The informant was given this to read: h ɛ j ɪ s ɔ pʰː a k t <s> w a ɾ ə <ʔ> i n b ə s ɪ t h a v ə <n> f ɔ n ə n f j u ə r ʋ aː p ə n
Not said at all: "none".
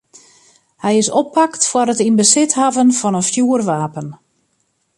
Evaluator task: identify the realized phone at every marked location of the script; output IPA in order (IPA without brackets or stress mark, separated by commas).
f, t, n